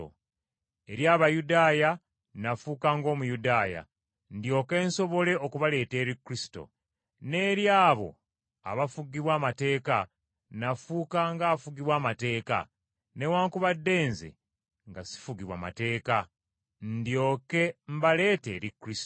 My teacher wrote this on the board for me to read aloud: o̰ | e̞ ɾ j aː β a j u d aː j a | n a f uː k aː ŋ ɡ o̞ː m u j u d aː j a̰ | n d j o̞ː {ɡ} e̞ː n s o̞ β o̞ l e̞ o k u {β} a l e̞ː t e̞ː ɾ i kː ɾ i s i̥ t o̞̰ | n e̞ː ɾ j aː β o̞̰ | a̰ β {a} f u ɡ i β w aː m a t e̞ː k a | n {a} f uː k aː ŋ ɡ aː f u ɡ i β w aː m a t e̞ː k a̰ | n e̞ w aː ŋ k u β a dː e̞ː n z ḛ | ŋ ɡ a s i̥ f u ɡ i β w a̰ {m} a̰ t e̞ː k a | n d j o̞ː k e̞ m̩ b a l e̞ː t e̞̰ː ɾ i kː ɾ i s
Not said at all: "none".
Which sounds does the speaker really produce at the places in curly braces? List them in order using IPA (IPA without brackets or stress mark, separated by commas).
k, β, a, a, m